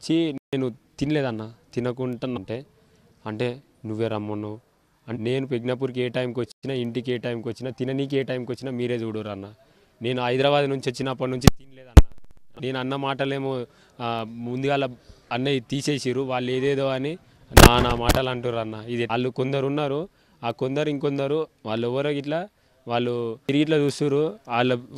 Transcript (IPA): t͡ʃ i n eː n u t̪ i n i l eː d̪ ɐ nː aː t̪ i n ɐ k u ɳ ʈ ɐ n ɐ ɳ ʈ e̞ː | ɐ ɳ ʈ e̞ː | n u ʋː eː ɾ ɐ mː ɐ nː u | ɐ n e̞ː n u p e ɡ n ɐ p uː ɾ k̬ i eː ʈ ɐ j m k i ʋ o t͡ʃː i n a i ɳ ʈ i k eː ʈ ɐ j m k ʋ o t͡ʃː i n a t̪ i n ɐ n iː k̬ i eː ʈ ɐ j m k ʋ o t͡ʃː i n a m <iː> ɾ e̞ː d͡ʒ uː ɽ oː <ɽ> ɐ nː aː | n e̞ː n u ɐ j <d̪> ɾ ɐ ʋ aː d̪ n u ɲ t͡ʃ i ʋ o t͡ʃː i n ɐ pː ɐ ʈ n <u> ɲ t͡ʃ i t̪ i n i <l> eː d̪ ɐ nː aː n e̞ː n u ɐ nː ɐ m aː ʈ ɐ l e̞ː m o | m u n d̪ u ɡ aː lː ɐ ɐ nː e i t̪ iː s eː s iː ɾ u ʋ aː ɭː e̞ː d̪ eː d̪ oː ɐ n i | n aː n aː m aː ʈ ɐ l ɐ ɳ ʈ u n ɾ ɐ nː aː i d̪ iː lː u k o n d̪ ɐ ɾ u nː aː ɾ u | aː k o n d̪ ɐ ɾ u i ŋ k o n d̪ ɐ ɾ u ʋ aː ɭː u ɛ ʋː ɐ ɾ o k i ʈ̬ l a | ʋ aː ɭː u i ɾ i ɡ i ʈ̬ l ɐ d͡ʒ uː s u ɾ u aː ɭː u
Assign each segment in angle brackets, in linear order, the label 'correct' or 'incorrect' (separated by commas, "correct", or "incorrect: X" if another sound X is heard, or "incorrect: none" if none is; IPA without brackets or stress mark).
correct, incorrect: ɾ, correct, correct, correct